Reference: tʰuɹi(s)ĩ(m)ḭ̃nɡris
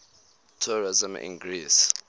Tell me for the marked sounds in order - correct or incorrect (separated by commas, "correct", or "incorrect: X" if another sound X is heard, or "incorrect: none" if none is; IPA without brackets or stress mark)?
incorrect: z, correct